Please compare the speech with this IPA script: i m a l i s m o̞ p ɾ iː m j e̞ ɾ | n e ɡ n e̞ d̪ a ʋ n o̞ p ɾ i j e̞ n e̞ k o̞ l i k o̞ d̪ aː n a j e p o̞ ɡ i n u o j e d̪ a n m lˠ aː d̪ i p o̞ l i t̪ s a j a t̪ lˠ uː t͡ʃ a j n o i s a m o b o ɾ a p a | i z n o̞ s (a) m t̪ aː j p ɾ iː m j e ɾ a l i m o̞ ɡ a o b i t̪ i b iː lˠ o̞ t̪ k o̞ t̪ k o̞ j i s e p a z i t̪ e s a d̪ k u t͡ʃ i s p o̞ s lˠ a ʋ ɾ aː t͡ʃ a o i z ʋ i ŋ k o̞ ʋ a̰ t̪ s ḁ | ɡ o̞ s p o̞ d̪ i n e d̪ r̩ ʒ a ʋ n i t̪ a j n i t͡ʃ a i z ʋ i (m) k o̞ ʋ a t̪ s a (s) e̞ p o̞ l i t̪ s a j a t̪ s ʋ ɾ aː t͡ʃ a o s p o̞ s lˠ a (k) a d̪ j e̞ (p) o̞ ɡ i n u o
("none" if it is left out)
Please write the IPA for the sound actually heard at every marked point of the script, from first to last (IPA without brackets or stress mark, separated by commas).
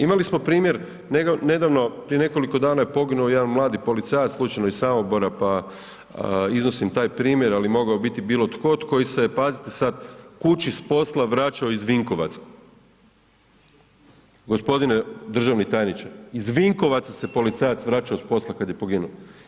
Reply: i, ŋ, s, k, p